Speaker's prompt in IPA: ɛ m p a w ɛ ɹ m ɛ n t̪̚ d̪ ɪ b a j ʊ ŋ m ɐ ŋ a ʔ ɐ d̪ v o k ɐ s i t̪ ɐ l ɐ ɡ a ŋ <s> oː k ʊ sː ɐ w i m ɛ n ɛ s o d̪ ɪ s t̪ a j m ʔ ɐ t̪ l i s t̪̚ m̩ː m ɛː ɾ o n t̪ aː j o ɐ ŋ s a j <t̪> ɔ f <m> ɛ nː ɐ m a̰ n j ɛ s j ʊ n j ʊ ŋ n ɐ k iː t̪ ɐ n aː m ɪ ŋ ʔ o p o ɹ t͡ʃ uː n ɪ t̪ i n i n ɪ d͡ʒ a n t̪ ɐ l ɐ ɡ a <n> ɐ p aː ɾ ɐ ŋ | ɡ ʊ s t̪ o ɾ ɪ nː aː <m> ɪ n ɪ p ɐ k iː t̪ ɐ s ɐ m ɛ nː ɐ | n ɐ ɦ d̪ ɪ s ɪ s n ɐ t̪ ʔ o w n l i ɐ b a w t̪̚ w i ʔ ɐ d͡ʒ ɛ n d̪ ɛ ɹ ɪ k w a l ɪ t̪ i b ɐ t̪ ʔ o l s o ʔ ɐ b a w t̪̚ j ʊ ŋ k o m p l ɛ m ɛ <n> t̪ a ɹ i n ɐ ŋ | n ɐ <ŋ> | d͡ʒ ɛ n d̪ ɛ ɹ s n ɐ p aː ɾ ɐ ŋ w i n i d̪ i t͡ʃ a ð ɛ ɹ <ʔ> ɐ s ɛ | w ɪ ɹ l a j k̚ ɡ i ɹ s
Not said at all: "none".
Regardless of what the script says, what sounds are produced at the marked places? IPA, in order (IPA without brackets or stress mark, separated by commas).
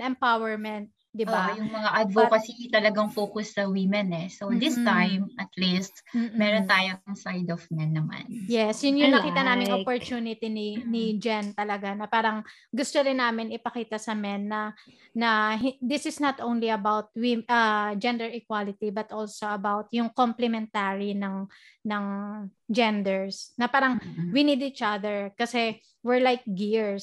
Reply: f, d̪, m, n, m, n, ŋ, k